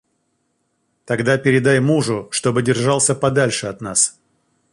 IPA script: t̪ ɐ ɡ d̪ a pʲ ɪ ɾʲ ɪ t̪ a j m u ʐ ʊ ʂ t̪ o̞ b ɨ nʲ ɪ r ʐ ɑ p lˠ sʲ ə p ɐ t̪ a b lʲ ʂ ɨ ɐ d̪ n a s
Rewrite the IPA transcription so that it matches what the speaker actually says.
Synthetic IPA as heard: t̪ ɐ ɡ d̪ a pʲ ɪ ɾʲ ɪ d̪ a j m u ʐ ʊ ʂ t̪ o̞ b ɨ dʲ ɪ r ʐ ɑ lˠ sʲ ə p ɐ d̪ a lʲ ʂ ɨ ɐ t̪ n a s